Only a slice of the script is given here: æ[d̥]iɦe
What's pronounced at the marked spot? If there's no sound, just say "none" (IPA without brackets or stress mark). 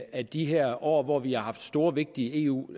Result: d̥